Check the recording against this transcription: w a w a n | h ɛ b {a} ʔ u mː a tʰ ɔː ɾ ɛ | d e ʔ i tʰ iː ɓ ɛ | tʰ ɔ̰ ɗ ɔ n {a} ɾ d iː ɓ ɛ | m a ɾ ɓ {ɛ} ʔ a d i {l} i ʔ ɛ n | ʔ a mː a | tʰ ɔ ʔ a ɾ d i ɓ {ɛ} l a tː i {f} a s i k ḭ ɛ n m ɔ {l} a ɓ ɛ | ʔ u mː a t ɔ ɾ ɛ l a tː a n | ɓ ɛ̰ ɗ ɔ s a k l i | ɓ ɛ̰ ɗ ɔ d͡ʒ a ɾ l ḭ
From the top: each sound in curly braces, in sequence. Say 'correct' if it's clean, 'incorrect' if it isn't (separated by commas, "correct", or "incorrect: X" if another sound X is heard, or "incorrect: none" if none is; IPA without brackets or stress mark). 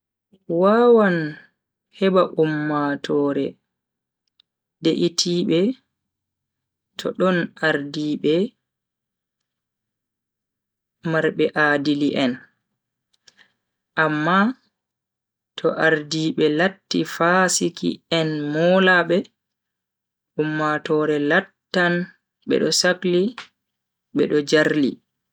correct, correct, correct, correct, correct, correct, correct